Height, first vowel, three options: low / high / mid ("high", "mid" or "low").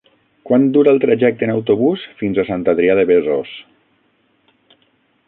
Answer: low